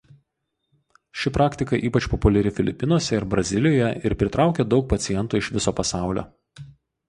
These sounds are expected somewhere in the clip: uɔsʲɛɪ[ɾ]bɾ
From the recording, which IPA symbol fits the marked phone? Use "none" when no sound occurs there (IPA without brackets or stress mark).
ɾ